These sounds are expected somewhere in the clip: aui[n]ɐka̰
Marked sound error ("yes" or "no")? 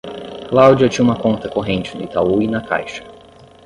no